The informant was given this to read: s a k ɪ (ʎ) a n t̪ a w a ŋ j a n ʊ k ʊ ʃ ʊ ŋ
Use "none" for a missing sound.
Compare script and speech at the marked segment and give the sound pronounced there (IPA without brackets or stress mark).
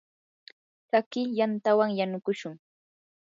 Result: j